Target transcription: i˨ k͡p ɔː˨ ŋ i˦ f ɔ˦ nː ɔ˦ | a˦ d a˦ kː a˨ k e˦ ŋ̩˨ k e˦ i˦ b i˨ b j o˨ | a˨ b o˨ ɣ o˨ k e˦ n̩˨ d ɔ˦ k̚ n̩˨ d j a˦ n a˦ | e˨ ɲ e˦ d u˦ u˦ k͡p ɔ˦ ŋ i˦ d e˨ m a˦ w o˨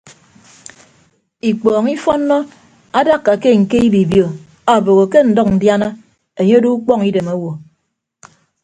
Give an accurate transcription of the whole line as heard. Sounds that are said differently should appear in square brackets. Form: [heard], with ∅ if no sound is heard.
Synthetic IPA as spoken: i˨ k͡p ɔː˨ ŋ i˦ f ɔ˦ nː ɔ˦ | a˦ d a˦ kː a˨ k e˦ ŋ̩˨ k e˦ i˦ b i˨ b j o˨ | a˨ b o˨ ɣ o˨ k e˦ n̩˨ d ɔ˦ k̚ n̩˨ d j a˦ n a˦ | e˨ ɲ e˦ d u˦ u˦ k͡p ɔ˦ ŋ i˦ d e˨ m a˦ w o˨